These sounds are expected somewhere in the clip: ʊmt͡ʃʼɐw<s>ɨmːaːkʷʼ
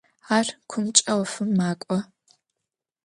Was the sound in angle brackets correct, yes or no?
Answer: no